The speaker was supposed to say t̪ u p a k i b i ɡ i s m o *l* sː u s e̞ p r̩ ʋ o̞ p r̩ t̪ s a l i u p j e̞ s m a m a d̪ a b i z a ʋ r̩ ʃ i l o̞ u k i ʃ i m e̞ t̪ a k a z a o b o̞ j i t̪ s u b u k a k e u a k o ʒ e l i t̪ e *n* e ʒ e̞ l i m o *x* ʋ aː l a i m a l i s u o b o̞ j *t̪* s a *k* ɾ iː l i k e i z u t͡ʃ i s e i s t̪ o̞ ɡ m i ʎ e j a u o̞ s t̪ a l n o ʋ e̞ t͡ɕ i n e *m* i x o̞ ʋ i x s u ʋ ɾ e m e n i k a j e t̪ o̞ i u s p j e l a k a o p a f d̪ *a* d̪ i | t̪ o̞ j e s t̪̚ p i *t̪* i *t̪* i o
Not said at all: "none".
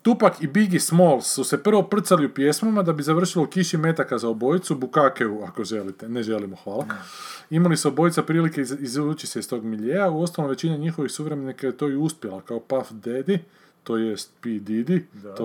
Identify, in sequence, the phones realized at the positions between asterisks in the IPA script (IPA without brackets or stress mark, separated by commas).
l, n, x, t̪, p, ɲ, e, d̪, d̪